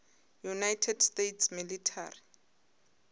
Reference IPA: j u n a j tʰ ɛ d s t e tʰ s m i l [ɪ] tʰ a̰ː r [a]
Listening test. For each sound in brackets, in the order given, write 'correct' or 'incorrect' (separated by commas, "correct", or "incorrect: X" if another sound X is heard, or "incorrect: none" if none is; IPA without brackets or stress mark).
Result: incorrect: i, incorrect: i